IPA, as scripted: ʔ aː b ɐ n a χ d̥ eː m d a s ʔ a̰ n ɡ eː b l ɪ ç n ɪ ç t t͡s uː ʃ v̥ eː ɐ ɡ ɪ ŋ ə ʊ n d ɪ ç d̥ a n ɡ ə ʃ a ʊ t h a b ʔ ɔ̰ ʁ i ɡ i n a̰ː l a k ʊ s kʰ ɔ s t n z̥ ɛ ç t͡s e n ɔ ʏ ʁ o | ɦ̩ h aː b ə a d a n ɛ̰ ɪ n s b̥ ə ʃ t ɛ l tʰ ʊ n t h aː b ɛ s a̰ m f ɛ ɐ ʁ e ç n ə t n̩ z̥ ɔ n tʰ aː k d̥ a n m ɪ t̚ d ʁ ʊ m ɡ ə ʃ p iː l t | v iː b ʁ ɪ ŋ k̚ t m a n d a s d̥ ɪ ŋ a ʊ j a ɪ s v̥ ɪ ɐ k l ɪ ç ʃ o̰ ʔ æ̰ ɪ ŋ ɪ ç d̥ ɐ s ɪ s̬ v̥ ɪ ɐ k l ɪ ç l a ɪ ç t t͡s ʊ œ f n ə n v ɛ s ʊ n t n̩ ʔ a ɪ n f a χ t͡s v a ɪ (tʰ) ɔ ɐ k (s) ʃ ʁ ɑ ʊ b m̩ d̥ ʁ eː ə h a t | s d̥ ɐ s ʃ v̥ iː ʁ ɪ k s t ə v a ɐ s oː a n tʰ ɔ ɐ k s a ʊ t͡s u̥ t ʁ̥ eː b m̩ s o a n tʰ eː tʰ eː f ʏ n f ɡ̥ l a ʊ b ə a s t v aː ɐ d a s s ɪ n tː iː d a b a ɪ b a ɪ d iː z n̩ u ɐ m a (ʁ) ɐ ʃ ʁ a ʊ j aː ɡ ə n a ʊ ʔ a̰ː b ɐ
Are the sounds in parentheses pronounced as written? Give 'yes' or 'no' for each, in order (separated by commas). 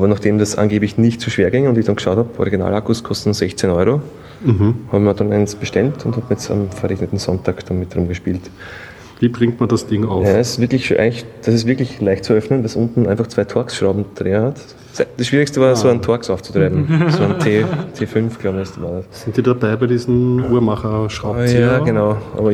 yes, yes, no